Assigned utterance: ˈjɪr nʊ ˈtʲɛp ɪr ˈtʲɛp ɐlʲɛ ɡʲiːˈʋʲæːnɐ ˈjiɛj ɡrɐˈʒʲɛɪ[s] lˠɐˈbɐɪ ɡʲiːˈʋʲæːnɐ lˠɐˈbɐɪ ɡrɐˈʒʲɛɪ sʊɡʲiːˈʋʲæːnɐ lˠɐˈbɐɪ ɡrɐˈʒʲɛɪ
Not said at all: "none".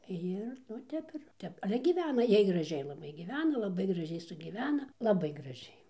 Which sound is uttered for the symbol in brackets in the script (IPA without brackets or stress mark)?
none